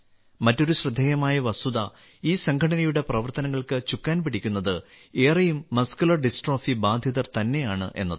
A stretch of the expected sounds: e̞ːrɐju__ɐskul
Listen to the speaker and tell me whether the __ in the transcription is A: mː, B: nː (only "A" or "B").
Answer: A